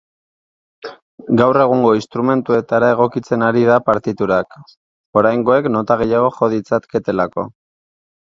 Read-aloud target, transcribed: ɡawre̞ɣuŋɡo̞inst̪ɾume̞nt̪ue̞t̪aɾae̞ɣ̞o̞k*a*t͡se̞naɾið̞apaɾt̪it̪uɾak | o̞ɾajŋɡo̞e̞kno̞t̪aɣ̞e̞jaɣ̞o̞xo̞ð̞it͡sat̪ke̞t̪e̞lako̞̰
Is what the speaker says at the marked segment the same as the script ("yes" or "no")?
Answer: no